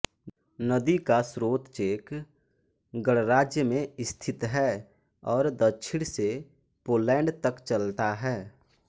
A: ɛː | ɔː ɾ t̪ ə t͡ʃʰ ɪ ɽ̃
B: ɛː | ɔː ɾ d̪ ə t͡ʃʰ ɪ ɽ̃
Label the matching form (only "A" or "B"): B